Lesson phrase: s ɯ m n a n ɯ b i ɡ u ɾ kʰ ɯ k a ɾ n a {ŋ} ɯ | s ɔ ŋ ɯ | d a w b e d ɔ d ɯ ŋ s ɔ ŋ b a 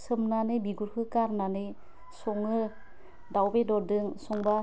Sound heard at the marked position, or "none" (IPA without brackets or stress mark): n